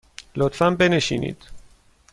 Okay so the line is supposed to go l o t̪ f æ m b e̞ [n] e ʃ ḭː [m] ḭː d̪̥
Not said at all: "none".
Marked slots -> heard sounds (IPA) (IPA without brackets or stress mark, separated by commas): n, n